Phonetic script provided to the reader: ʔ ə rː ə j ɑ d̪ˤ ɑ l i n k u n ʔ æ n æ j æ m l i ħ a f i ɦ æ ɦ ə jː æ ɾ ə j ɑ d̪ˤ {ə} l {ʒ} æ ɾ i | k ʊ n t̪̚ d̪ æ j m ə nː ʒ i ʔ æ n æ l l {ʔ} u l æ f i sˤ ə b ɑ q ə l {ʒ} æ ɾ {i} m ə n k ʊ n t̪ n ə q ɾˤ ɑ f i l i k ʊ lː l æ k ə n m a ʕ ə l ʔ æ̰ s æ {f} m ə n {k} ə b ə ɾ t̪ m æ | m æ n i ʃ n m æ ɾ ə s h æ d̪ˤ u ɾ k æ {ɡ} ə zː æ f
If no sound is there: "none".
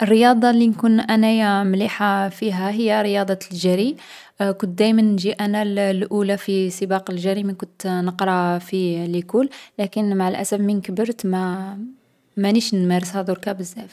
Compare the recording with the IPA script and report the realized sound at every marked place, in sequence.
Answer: ɑ, ʒ, ʔ, ʒ, i, f, k, b

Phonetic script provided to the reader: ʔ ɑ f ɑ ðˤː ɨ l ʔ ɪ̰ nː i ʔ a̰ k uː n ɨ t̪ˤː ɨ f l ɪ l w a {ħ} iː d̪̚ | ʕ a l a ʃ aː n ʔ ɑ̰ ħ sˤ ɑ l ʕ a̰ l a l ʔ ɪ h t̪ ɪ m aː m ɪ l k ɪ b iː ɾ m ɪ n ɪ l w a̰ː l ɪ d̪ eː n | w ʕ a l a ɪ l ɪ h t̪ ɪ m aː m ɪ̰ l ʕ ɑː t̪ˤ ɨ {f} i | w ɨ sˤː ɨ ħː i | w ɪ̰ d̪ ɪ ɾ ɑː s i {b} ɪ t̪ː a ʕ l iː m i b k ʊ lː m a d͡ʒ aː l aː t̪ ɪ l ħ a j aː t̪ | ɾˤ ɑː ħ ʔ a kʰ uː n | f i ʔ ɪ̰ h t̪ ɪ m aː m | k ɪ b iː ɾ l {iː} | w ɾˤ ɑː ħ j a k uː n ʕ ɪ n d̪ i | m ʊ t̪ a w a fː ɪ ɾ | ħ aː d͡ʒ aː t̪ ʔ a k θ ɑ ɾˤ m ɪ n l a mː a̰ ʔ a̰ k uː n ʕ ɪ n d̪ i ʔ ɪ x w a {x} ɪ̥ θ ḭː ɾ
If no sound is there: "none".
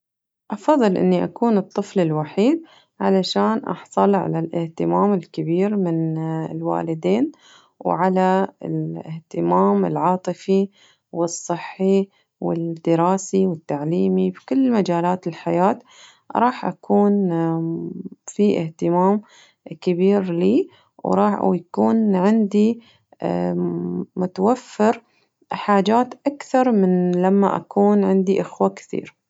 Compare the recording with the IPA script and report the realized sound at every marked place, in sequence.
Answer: ħ, f, w, iː, k

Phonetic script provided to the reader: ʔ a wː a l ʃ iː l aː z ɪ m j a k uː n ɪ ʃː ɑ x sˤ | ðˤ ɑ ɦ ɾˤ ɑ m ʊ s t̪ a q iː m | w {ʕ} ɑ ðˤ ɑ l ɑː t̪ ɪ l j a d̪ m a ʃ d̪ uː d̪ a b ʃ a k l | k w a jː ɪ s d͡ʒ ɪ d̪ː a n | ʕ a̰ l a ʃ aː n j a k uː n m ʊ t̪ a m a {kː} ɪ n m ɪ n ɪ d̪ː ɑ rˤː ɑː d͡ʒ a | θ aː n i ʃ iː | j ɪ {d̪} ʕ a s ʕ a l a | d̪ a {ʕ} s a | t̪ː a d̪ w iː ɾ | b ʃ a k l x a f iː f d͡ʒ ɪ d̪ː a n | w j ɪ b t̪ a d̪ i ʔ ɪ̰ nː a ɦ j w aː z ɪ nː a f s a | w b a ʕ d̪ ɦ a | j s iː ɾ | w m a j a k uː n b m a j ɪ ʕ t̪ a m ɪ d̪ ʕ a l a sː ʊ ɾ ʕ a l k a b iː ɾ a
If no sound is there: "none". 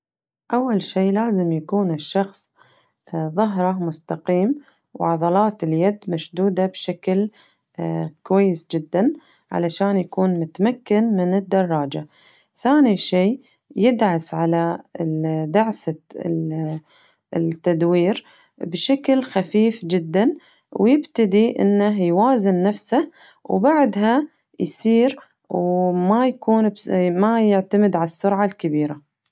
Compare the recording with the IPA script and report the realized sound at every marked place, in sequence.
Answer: ʕ, kː, d̪, ʕ

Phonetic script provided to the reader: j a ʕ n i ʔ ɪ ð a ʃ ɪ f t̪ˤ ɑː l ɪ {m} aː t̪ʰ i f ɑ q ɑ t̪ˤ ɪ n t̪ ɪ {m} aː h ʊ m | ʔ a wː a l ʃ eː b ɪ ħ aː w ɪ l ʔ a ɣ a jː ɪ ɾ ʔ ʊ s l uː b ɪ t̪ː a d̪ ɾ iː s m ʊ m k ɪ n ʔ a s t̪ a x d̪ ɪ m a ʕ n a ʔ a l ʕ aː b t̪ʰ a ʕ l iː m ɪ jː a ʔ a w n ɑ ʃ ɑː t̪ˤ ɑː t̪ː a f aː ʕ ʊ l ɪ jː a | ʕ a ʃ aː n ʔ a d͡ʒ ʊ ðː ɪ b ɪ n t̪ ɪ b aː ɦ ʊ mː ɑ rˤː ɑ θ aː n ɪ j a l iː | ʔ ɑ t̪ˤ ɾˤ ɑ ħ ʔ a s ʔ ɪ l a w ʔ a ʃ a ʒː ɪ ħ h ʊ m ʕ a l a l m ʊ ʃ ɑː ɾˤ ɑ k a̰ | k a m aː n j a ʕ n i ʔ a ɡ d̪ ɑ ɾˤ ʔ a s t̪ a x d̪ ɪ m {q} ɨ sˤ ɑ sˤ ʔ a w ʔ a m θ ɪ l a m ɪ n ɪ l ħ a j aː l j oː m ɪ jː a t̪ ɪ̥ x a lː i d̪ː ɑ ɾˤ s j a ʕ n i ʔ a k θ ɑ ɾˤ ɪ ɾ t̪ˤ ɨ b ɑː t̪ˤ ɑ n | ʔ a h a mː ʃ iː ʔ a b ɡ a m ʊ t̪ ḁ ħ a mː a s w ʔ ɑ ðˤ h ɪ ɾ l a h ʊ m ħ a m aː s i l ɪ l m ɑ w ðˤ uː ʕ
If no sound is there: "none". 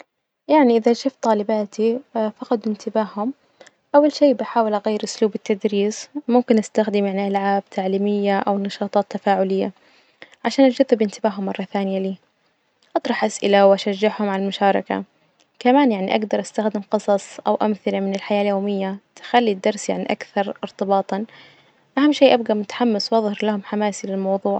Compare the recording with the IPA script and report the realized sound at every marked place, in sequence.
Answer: b, b, q

